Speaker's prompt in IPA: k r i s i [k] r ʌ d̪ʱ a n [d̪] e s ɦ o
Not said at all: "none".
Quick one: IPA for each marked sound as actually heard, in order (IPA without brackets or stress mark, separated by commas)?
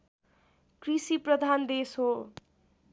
p, d̪